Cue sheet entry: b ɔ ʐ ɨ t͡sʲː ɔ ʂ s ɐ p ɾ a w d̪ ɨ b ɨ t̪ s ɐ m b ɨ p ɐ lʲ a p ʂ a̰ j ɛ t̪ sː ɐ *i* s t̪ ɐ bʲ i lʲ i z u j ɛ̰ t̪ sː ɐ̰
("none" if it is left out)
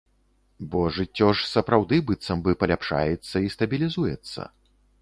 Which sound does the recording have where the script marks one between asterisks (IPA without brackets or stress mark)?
i